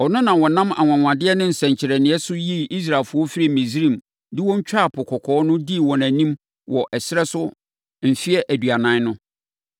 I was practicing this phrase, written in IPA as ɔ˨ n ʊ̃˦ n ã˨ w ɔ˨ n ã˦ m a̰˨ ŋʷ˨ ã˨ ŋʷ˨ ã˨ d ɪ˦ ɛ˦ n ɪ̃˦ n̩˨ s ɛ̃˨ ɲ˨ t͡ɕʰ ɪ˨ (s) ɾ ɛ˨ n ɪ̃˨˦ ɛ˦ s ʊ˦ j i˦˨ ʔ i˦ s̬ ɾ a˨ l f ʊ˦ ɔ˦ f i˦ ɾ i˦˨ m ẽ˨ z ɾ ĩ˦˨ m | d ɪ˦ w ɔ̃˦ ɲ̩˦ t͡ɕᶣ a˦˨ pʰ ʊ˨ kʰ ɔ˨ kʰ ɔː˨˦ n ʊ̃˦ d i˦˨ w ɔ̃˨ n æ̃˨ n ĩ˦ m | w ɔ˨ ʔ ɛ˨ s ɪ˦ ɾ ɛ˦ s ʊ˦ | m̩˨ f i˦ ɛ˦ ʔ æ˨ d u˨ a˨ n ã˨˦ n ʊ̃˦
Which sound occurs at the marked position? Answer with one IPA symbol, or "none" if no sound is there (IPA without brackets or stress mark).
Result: none